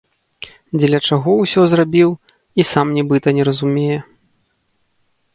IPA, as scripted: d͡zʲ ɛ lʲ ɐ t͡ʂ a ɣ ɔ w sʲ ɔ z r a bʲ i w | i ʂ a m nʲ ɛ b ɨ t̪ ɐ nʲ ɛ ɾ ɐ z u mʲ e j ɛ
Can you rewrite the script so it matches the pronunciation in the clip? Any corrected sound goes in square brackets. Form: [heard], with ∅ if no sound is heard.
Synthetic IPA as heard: d͡zʲ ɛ lʲ ɐ t͡ʂ a ɣ ɔ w sʲ ɔ z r a bʲ i w | i [s] a m nʲ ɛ b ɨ t̪ ɐ nʲ ɛ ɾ ɐ z u mʲ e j ɛ